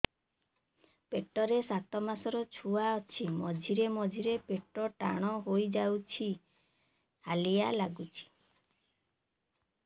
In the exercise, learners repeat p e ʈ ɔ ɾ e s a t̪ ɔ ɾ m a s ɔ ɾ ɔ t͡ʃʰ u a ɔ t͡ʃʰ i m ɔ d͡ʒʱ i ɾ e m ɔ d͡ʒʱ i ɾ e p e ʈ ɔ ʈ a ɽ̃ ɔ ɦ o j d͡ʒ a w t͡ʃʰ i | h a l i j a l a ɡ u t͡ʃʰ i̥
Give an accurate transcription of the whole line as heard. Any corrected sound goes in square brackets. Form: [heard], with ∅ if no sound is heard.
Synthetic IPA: p e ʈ ɔ ɾ e s a t̪ ɔ [∅] m a s ɔ ɾ ɔ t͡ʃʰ u a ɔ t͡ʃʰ i m ɔ d͡ʒʱ i ɾ e m ɔ d͡ʒʱ i ɾ e p e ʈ ɔ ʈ a ɽ̃ ɔ ɦ o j d͡ʒ a w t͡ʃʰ i | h a l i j a l a ɡ u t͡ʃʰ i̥